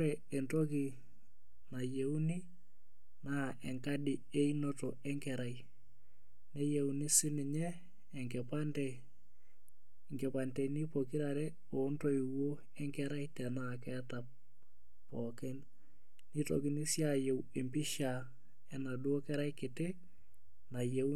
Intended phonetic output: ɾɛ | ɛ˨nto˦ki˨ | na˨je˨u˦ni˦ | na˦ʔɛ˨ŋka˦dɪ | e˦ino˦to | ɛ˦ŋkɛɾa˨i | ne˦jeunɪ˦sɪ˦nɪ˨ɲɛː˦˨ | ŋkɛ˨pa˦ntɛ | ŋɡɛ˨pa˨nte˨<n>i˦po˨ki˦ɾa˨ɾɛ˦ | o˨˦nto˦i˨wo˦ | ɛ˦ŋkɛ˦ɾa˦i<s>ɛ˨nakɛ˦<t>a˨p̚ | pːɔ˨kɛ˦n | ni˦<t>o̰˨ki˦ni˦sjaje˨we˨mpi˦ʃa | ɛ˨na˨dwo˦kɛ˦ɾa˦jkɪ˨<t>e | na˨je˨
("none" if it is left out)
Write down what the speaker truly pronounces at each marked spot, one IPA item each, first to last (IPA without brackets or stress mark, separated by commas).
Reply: n, t, t, t, t